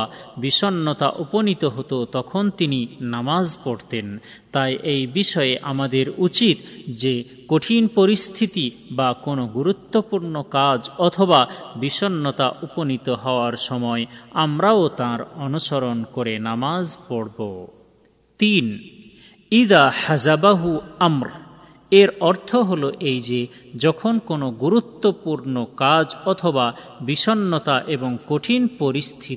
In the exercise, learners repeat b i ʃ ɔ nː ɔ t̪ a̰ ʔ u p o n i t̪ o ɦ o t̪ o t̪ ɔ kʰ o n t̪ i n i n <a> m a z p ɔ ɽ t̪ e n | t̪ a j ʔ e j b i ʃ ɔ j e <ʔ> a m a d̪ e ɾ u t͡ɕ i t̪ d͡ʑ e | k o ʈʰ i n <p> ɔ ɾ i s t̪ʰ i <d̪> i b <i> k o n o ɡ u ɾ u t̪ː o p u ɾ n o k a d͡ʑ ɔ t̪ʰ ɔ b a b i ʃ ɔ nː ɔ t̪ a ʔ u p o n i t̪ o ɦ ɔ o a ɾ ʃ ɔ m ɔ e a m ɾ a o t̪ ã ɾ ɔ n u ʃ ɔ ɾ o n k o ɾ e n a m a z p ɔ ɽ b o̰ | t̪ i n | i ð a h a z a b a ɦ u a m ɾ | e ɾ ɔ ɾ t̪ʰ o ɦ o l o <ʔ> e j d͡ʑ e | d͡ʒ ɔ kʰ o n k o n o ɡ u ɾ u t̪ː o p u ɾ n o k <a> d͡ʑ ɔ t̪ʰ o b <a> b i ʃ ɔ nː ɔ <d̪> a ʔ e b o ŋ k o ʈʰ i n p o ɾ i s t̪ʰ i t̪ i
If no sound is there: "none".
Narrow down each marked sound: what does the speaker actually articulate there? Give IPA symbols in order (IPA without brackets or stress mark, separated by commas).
a, ʔ, p, t̪, a, ʔ, a, a, t̪